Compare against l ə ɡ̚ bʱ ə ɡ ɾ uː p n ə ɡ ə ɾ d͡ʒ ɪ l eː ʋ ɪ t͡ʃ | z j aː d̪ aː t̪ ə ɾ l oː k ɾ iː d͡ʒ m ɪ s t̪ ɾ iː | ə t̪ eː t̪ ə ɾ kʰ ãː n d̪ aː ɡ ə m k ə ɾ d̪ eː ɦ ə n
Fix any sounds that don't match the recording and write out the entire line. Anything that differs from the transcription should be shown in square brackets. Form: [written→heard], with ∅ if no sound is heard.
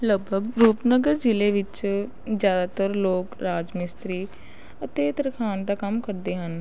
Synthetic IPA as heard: l ə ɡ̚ bʱ ə ɡ ɾ uː p n ə ɡ ə ɾ d͡ʒ ɪ l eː ʋ ɪ t͡ʃ | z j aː d̪ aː t̪ ə ɾ l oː k ɾ [iː→aː] d͡ʒ m ɪ s t̪ ɾ iː | ə t̪ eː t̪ ə ɾ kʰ [ãː→aː] n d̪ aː [ɡ→k] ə m k ə ɾ d̪ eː ɦ ə n